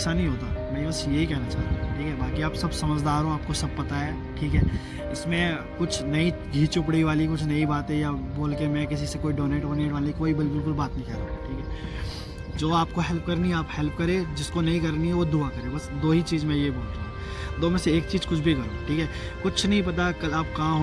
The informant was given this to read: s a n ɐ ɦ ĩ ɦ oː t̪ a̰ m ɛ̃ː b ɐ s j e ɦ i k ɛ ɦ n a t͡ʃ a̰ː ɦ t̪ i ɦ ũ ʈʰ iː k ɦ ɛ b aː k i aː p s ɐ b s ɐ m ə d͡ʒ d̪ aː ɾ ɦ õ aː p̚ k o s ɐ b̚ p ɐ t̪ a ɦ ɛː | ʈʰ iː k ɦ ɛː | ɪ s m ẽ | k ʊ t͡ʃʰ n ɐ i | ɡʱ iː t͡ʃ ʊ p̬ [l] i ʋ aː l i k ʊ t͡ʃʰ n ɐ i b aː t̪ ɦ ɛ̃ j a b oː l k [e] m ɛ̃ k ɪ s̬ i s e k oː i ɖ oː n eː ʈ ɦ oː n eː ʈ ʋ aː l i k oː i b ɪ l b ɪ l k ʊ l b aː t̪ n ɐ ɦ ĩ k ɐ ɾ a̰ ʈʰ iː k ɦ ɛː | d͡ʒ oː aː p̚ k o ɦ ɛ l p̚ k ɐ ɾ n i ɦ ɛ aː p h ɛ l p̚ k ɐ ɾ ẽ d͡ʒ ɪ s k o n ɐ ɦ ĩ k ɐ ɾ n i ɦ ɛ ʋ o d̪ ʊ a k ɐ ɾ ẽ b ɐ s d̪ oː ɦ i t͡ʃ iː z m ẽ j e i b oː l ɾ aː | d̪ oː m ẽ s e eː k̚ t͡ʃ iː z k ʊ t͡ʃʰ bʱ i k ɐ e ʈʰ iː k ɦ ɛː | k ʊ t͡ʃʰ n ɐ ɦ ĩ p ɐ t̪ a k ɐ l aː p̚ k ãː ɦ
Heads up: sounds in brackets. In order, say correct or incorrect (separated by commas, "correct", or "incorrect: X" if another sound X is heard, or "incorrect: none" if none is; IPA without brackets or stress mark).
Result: incorrect: ɽ, correct